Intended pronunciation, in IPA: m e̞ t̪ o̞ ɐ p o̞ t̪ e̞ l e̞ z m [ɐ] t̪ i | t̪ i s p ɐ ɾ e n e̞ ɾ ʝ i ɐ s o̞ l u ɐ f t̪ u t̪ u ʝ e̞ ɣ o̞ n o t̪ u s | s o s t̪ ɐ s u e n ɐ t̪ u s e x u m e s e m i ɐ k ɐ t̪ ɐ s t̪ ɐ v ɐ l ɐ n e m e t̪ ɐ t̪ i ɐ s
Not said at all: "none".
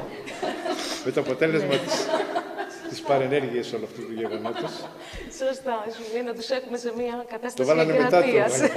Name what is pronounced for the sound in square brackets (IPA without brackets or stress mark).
ɐ